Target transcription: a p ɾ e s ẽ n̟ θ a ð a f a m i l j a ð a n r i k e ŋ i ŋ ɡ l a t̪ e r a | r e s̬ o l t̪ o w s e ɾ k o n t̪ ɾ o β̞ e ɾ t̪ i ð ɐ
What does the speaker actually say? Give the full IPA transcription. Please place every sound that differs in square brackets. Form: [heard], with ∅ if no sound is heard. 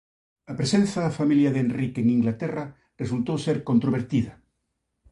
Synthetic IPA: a p ɾ e s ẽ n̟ θ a ð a f a m i l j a ð [e] n r i k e ŋ i ŋ ɡ l a t̪ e r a | r e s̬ [u] l t̪ o w s e ɾ k o n t̪ ɾ o β̞ e ɾ t̪ i ð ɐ